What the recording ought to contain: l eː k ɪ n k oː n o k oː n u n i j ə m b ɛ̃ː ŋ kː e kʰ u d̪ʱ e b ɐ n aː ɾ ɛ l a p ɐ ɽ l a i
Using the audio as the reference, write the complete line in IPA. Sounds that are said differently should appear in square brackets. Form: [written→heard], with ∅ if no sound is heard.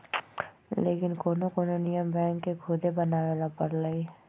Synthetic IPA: l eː k ɪ n k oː n o k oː n [u→o] n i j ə m b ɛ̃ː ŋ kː e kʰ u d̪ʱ e b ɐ n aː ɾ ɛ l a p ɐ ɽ l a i